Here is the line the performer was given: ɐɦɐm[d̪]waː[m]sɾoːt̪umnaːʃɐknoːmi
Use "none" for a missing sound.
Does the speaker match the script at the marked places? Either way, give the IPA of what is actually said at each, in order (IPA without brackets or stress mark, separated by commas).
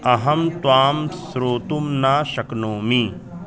t̪, m